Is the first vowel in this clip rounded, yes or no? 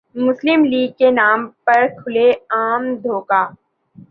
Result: yes